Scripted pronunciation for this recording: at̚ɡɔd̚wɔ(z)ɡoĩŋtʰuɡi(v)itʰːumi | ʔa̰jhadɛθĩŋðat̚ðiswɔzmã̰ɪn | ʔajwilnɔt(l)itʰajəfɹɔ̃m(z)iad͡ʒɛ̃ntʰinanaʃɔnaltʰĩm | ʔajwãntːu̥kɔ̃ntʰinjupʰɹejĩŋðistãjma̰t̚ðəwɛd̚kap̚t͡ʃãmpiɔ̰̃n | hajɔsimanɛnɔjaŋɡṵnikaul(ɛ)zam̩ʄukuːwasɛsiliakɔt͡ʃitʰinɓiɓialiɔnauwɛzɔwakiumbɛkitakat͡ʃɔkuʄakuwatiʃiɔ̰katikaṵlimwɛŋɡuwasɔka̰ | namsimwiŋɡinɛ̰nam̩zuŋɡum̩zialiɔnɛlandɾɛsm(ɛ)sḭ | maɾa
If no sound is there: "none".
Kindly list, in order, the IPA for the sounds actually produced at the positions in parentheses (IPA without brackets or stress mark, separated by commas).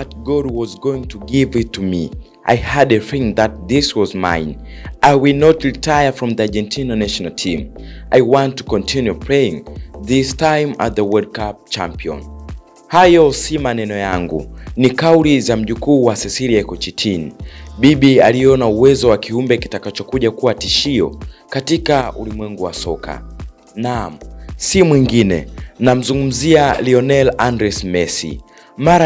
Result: z, v, ɹ, ð, i, ɛ